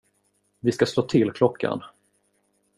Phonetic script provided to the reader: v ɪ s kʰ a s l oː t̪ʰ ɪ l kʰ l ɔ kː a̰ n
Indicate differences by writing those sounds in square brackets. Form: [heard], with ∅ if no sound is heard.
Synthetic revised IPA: v ɪ s [k] a s l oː t̪ʰ ɪ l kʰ l ɔ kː a̰ n